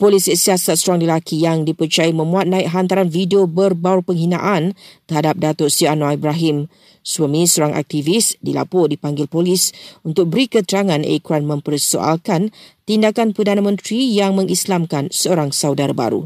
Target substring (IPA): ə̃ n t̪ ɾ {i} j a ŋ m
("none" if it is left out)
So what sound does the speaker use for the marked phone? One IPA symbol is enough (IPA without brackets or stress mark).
i